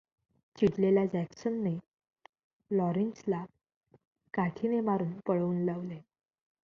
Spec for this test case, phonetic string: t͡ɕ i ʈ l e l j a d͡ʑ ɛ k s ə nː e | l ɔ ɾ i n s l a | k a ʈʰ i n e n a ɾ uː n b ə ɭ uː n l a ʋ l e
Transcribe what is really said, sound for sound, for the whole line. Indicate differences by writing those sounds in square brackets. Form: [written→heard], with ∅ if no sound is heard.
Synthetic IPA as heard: t͡ɕ i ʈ l e l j a d͡ʑ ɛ k s ə nː e | l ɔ ɾ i n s l a | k a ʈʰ i n e [n→m] a ɾ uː n [b→p] ə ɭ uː n l a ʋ l e

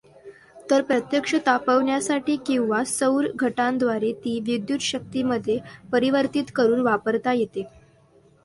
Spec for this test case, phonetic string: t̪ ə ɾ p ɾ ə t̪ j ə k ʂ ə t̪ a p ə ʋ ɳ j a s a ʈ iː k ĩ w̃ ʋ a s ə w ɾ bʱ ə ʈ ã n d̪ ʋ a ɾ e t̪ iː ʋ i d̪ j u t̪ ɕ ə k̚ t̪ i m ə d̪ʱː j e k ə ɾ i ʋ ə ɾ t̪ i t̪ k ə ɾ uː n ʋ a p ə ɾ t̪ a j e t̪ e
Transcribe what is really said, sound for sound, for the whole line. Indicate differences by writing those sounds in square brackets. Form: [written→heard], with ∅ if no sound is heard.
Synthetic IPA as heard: t̪ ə ɾ p ɾ ə t̪ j ə k ʂ ə t̪ a p ə ʋ ɳ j a s a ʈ iː k ĩ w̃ ʋ a s ə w ɾ [bʱ→ɡʱ] ə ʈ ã n d̪ ʋ a ɾ e t̪ iː ʋ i d̪ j u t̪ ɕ ə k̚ t̪ i m ə d̪ʱː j e [k→p] ə ɾ i ʋ ə ɾ t̪ i t̪ k ə ɾ uː n ʋ a p ə ɾ t̪ a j e t̪ e

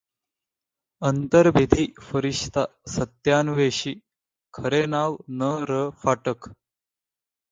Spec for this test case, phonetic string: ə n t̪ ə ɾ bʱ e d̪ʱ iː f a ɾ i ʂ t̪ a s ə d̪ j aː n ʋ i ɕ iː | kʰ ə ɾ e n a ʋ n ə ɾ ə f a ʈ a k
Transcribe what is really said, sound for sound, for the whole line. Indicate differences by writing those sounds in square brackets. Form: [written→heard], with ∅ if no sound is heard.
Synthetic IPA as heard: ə n t̪ ə ɾ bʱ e d̪ʱ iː f [a→ə] ɾ i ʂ t̪ a s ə [d̪→t̪] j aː n ʋ [i→e] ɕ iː | kʰ ə ɾ e n a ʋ n ə ɾ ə f a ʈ [a→ə] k

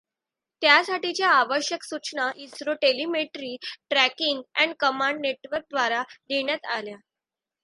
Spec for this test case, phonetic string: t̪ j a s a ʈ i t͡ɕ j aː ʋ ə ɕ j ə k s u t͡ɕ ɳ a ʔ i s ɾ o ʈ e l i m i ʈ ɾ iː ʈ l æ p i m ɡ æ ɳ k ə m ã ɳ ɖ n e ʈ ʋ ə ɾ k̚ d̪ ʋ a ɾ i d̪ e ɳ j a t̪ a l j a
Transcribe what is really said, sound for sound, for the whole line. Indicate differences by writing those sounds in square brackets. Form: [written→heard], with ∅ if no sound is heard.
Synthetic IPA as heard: t̪ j a s a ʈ i t͡ɕ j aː ʋ ə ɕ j ə k s u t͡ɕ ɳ a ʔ i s ɾ o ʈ e l i m [i→e] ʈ ɾ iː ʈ [l→ɾ] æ [p→k] i [m→ŋ] ɡ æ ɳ k ə m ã ɳ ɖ n e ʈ ʋ ə ɾ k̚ d̪ ʋ a ɾ [i→a] d̪ e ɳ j a t̪ a l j a

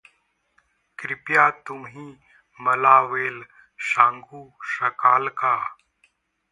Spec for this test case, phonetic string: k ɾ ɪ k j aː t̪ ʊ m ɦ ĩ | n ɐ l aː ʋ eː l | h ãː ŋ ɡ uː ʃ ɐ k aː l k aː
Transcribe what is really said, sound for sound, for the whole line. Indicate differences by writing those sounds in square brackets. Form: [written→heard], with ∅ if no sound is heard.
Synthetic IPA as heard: k ɾ ɪ [k→p] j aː t̪ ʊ m ɦ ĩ | [n→m] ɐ l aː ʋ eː l | [h→ʃ] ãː ŋ ɡ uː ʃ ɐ k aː l k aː

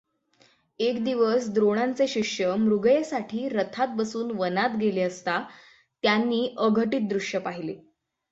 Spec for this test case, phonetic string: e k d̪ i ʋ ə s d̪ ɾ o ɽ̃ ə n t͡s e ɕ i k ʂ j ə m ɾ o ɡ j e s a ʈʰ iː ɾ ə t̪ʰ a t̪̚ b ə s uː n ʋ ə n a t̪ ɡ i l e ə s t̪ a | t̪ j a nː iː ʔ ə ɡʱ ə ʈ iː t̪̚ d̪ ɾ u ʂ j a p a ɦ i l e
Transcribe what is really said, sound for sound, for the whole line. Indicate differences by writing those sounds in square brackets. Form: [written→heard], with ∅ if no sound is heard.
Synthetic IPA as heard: e k d̪ i ʋ ə s d̪ ɾ o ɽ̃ [ə→a] n t͡s e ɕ i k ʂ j ə m ɾ [o→u] ɡ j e s a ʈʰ iː ɾ ə t̪ʰ a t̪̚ b ə s uː n ʋ ə n a t̪ ɡ [i→e] l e ə s t̪ a | t̪ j a nː iː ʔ ə ɡʱ ə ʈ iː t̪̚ d̪ ɾ u ʂ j [a→ə] p a ɦ i l e

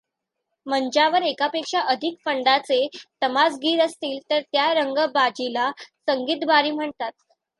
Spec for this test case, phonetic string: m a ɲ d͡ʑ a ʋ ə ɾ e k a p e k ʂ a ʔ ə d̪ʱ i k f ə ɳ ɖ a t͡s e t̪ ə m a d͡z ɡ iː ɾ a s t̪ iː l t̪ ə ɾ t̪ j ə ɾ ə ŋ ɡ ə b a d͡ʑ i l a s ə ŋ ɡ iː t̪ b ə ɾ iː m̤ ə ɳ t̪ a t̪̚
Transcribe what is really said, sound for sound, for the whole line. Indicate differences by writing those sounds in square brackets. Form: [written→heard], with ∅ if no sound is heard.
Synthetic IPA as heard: m [a→ə] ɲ d͡ʑ a ʋ ə ɾ e k a p e k ʂ a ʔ ə d̪ʱ i k f ə ɳ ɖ a t͡s e t̪ ə m a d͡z ɡ iː ɾ [a→ə] s t̪ iː l t̪ ə ɾ t̪ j [ə→a] ɾ ə ŋ ɡ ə b a d͡ʑ i l a s ə ŋ ɡ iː t̪ b [ə→a] ɾ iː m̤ ə ɳ t̪ a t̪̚

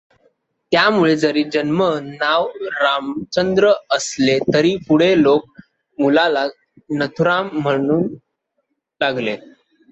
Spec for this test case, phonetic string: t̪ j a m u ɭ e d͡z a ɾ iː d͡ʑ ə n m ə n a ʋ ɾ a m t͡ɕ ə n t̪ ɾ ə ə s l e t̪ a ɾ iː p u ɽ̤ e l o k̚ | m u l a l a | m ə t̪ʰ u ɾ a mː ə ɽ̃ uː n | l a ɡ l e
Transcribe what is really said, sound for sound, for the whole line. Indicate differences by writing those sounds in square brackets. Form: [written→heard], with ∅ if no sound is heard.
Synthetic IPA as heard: t̪ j a m u ɭ e d͡z [a→ə] ɾ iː d͡ʑ ə n m ə n a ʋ ɾ a m t͡ɕ ə n [t̪→d̪] ɾ ə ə s l e t̪ [a→ə] ɾ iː p u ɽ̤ e l o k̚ | m u l a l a | [m→n] ə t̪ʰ u ɾ a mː ə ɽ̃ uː n | l a ɡ l e

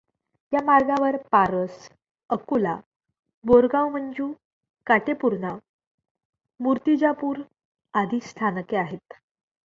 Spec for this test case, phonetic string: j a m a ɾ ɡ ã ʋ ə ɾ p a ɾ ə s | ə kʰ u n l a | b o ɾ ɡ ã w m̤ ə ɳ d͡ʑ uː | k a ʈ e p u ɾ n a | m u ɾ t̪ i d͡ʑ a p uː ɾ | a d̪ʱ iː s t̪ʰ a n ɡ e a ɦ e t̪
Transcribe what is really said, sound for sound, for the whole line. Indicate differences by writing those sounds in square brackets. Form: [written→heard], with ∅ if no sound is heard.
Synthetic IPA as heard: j a m a ɾ ɡ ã ʋ ə ɾ p a ɾ ə s | ə [kʰ→k] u [n→∅] l a | b o ɾ ɡ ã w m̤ ə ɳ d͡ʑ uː | k a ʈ e p u ɾ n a | m u ɾ t̪ i d͡ʑ a p uː ɾ | a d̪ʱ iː s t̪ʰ a n [ɡ→k] e a ɦ e t̪

